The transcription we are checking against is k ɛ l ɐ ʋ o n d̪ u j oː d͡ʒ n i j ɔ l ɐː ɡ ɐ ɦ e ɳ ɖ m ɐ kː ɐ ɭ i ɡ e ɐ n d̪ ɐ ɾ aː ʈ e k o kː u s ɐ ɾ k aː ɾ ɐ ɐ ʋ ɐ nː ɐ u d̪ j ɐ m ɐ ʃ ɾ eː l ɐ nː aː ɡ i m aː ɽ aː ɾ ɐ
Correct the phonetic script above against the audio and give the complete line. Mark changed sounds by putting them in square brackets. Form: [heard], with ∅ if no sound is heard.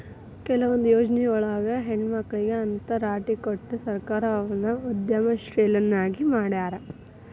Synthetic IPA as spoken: k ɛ l ɐ ʋ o n d̪ u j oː d͡ʒ n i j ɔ [ɭ] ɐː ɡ ɐ ɦ e ɳ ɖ m ɐ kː ɐ ɭ i ɡ e ɐ n [t̪] ɐ ɾ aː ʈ [i] k o [ʈː] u s ɐ ɾ k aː ɾ ɐ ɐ ʋ ɐ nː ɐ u d̪ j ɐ m ɐ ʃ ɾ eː l ɐ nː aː ɡ i m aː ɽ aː ɾ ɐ